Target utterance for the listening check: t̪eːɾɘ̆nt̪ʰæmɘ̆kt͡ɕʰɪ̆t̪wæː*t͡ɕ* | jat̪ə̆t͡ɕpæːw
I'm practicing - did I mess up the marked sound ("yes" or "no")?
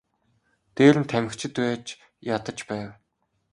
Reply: no